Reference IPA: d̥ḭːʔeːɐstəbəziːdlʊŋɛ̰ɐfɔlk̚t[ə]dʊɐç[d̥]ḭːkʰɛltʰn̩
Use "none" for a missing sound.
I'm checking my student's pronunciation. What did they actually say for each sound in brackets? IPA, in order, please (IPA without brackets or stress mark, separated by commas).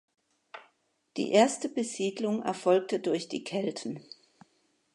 ə, d̥